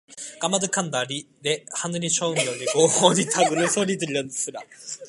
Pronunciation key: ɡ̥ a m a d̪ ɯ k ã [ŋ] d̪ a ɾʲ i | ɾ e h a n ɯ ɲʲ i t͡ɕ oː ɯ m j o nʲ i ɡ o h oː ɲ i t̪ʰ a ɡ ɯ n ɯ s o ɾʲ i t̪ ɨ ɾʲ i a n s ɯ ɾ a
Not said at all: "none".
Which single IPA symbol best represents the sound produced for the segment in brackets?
n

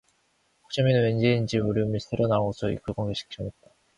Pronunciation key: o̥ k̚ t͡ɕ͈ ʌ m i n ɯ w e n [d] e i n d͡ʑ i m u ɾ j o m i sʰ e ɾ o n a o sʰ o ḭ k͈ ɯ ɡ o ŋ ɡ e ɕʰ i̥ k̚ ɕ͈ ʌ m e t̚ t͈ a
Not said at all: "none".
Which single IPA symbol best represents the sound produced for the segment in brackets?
d͡ʑ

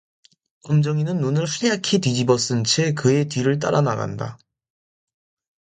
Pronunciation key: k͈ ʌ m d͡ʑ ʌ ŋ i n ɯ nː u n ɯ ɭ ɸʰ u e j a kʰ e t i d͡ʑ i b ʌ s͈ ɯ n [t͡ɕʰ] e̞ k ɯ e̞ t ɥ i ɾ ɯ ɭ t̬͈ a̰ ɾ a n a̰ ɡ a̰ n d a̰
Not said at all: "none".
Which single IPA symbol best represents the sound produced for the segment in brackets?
t͡ɕʰ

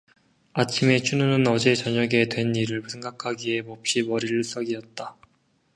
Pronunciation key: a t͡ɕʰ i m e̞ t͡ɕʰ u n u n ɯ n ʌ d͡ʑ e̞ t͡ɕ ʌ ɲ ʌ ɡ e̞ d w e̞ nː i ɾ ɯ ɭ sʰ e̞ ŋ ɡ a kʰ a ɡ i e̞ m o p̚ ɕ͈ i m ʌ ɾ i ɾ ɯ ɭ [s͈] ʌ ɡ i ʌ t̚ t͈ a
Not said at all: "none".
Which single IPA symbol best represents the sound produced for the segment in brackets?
s͈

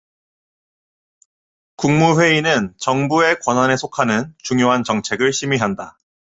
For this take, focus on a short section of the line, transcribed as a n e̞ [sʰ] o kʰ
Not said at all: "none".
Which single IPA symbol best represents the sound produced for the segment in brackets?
sʰ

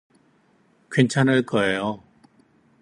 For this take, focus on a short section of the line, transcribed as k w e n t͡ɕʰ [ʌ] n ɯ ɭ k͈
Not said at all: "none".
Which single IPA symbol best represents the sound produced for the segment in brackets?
a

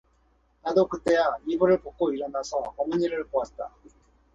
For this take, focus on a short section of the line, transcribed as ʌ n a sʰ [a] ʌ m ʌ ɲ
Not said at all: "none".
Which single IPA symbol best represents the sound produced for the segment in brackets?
ʌ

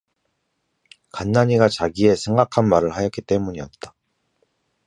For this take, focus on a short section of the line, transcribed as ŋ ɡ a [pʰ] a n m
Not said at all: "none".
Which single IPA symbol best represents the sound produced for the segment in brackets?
kʰ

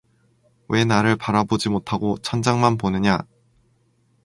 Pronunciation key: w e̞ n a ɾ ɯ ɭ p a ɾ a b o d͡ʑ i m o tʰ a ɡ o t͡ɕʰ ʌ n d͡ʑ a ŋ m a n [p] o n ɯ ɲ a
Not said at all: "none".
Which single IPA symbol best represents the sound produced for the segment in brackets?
p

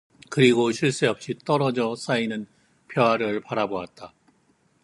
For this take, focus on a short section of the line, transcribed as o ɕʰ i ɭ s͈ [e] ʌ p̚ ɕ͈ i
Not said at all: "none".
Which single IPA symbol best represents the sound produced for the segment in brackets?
e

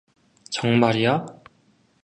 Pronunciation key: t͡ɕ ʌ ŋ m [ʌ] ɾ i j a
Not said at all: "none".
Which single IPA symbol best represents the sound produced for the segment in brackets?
a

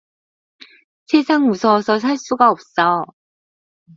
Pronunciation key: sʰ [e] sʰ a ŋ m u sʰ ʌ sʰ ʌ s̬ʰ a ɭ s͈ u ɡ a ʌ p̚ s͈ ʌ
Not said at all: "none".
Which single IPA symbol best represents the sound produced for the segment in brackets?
e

